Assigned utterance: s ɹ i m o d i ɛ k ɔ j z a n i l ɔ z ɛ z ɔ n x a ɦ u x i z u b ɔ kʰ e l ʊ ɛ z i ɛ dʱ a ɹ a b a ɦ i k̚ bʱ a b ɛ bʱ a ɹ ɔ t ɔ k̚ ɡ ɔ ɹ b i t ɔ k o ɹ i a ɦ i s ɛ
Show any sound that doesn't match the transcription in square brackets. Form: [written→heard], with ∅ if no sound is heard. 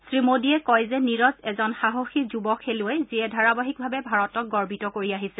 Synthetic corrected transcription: s ɹ i m o d i ɛ k ɔ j z [a→ɛ] n i [l→ɹ] ɔ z ɛ z ɔ n x a ɦ [u→o] x i z u b ɔ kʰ e l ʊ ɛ z i ɛ dʱ a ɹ a b a ɦ i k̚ bʱ a b ɛ bʱ a ɹ ɔ t ɔ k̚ ɡ ɔ ɹ b i t ɔ k o ɹ i a ɦ i s ɛ